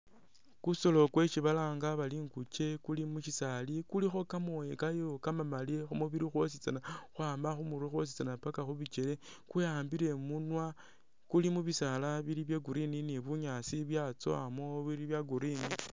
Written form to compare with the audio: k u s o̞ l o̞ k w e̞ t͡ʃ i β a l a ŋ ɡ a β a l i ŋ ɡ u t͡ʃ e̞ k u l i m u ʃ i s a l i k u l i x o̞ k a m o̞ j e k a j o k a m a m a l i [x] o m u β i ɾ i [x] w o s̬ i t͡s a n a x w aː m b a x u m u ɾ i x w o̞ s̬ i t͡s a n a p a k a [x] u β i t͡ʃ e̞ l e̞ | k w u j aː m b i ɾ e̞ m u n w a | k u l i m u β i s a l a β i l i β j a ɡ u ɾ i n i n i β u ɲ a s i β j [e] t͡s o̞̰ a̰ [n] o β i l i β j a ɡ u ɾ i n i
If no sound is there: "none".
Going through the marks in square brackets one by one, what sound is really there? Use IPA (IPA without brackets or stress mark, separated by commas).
x, x, x, a, m